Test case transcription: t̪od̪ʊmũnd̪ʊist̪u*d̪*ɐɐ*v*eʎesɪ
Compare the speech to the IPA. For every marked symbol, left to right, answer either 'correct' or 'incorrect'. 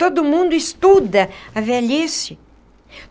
correct, correct

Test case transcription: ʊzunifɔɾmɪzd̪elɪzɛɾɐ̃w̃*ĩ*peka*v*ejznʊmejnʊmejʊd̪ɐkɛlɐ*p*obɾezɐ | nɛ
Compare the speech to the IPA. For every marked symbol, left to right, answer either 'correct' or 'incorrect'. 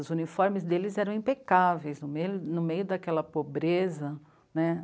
correct, correct, correct

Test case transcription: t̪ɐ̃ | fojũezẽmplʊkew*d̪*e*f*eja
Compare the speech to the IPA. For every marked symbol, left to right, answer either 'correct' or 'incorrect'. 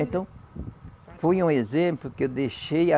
correct, incorrect: ʃ

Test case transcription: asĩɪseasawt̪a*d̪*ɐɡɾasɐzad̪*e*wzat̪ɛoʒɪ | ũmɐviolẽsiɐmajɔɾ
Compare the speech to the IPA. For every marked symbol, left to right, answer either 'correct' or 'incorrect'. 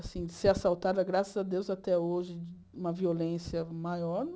correct, correct

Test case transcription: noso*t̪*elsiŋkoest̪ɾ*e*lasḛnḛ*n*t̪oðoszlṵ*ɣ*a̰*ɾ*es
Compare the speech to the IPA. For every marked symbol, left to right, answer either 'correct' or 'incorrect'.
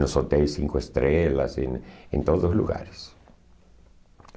correct, correct, correct, correct, correct

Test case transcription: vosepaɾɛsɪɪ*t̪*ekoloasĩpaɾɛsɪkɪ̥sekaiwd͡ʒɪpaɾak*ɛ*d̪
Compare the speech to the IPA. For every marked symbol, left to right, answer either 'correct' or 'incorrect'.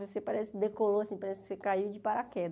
incorrect: d̪, correct

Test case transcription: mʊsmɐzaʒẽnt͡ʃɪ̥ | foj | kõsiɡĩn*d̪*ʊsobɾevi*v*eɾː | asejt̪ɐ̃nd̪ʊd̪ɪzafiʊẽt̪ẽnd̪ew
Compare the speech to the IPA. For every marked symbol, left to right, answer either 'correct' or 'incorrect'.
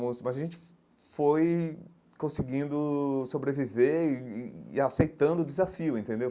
correct, correct

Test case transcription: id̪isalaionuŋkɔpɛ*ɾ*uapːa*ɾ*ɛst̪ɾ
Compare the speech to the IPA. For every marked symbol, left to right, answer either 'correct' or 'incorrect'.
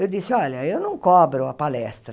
correct, incorrect: l

